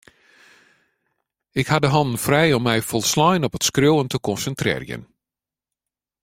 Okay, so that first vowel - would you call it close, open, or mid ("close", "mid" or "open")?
close